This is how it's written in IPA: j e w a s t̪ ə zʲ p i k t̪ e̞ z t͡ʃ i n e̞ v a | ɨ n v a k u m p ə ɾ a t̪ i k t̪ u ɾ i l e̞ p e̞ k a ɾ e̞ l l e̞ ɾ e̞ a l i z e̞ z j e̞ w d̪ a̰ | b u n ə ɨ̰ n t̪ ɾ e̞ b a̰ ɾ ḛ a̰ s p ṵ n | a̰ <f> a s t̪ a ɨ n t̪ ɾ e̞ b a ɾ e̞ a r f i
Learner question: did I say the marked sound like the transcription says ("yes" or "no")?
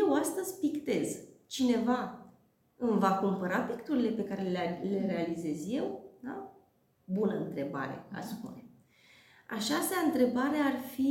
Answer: no